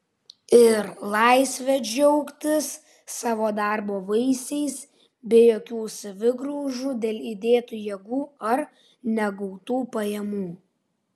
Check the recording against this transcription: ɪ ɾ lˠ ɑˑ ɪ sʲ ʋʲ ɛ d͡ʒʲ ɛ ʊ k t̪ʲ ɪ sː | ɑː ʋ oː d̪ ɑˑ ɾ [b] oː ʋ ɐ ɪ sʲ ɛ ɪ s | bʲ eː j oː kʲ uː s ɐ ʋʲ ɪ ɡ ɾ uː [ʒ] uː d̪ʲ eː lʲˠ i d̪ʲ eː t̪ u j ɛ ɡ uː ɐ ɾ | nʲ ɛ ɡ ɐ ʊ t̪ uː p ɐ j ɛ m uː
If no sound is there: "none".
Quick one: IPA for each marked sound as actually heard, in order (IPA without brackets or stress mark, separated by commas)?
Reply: b, ʒ